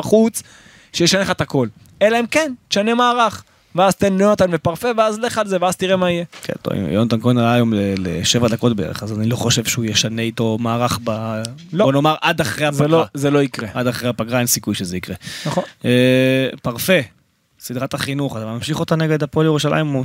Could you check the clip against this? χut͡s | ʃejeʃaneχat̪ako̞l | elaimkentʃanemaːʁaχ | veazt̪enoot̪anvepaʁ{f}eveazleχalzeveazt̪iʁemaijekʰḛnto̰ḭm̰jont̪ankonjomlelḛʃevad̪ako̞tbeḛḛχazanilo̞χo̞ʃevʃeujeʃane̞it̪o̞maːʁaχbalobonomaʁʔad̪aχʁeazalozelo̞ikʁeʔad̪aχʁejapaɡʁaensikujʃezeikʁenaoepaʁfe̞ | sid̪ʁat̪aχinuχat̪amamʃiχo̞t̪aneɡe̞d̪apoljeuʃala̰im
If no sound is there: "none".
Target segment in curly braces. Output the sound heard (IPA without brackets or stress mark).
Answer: f